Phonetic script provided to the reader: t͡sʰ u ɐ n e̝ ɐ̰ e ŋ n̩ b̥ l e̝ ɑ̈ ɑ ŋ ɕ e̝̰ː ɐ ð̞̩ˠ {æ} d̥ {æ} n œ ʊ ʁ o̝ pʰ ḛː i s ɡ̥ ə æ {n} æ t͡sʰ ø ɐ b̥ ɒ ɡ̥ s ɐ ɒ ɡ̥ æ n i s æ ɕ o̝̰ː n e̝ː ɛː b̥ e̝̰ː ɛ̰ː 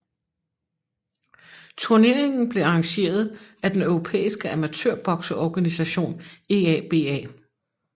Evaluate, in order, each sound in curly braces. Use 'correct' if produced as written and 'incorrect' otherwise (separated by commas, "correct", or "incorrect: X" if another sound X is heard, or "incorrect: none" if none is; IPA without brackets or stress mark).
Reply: correct, incorrect: e, incorrect: m